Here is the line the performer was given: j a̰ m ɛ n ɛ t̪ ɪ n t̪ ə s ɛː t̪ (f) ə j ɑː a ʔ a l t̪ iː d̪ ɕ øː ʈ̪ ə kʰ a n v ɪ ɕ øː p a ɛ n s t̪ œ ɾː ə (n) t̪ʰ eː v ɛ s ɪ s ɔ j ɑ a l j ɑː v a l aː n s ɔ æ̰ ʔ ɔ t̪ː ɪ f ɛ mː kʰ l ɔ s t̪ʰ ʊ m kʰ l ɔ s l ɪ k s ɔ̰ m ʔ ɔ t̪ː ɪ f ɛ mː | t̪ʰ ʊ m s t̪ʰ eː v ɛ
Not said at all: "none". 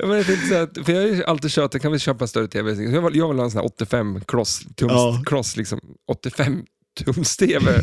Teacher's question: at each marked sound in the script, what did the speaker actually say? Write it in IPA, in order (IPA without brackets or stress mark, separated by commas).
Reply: f, none